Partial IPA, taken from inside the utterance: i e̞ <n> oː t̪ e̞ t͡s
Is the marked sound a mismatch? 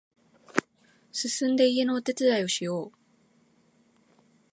no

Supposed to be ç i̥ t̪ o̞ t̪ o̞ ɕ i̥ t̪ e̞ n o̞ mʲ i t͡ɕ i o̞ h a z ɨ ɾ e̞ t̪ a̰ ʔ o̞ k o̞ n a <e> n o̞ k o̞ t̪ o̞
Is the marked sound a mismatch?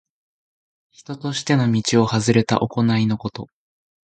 yes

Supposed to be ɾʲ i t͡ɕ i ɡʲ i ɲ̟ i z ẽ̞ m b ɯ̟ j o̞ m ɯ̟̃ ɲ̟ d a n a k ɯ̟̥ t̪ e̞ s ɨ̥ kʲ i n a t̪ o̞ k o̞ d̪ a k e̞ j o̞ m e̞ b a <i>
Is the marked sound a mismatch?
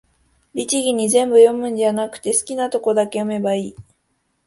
yes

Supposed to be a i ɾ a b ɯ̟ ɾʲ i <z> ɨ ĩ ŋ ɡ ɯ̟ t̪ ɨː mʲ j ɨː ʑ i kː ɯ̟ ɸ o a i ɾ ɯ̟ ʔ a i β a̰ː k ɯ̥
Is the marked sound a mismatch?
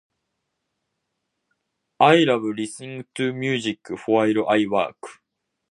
yes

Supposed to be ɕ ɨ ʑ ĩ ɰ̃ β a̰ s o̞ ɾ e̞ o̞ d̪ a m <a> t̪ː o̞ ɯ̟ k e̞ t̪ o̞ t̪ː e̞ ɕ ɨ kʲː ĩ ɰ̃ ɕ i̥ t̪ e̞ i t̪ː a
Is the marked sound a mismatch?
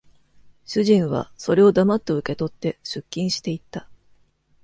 no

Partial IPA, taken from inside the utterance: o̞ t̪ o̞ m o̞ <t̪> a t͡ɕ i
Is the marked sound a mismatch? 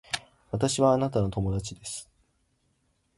yes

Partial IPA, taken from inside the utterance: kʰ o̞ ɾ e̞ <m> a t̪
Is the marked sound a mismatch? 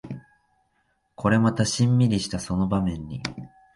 no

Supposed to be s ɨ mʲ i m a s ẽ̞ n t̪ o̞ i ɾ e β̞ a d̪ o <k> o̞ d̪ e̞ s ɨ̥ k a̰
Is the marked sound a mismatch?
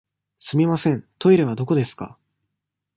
no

